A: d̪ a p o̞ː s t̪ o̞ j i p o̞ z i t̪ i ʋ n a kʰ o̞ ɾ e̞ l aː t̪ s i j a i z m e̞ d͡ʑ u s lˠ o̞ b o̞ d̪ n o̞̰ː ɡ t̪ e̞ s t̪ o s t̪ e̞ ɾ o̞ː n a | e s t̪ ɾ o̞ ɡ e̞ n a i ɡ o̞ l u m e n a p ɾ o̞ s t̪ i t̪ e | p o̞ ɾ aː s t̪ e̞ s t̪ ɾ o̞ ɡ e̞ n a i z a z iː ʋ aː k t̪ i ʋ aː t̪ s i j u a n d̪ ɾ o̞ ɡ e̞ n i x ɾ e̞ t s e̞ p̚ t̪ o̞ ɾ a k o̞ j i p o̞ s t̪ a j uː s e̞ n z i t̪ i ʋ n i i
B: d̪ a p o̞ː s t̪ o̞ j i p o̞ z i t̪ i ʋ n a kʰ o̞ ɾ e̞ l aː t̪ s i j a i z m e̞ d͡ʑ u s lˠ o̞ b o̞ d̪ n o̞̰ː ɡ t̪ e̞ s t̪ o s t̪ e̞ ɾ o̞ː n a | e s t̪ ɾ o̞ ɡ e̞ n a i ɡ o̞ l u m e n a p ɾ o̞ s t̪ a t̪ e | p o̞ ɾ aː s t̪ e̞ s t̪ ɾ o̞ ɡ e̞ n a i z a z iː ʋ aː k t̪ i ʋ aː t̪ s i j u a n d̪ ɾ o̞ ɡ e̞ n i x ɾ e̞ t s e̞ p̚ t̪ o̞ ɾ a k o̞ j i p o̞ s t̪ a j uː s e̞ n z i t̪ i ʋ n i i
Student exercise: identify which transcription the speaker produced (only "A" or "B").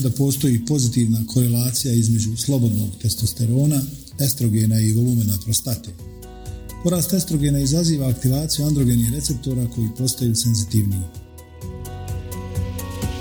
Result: B